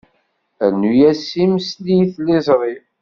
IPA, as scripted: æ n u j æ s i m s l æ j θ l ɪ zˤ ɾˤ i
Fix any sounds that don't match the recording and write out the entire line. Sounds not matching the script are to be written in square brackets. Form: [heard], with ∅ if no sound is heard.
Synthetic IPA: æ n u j æ s i m s l [i] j θ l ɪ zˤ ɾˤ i